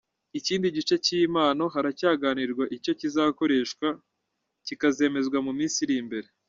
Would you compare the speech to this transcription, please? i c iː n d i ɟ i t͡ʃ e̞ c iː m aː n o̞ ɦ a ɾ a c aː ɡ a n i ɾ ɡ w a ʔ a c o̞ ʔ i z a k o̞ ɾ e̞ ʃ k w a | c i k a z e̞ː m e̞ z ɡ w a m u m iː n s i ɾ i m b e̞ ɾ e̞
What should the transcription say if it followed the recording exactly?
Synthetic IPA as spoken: i c iː n d i ɟ i t͡ʃ e̞ c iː m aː n o̞ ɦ a ɾ a c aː ɡ a n i ɾ ɡ w a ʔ i c o̞ c i z a k o̞ ɾ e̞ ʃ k w a | c i k a z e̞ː m e̞ z ɡ w a m u m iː n s i ɾ i m b e̞ ɾ e̞